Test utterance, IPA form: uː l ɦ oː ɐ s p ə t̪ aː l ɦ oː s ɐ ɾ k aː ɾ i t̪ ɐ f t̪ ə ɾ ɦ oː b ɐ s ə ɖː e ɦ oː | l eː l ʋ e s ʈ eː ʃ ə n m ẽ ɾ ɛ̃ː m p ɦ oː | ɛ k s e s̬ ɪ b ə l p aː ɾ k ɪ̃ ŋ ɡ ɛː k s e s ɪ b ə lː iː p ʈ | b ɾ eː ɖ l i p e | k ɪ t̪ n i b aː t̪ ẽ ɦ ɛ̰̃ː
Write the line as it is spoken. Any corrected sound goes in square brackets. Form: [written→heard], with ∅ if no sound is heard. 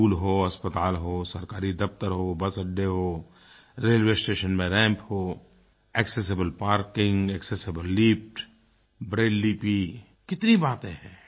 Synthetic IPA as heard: uː l ɦ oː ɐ s p ə t̪ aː l ɦ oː s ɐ ɾ k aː ɾ i [t̪→d̪] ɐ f t̪ ə ɾ ɦ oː b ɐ s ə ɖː e ɦ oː | [l→ɾ] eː l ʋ e s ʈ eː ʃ ə n m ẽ ɾ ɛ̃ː m p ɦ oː | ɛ k s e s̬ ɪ b ə l p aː ɾ k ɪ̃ ŋ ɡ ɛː k s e s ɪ b ə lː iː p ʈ | b ɾ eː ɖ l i p [e→i] | k ɪ t̪ n i b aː t̪ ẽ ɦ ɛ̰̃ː